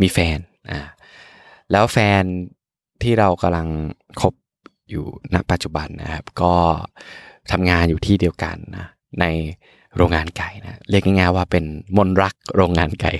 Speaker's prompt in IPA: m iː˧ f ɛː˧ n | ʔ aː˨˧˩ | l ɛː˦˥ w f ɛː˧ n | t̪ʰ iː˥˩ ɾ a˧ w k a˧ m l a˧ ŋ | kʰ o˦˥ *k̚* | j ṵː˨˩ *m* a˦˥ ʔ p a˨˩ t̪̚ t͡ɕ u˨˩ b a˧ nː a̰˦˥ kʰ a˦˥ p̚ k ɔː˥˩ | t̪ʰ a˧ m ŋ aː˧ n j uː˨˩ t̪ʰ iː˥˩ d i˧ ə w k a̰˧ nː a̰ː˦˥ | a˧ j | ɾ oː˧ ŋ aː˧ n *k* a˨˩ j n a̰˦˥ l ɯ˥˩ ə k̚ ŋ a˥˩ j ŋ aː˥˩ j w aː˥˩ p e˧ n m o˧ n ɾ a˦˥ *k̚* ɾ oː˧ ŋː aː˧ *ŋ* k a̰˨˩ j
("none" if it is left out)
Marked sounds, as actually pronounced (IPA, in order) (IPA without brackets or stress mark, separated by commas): p̚, n, k, k̚, n